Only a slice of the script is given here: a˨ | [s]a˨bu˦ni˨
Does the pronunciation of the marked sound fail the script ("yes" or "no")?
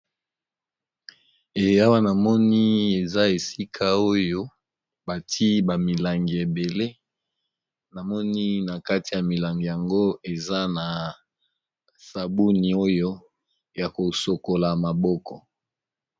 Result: no